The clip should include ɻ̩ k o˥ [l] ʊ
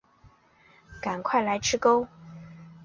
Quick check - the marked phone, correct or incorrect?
incorrect